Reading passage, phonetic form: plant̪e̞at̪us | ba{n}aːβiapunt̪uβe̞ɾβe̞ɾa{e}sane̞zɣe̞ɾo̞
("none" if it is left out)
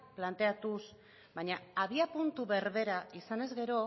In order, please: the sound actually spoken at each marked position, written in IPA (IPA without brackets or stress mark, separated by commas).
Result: ɲ, i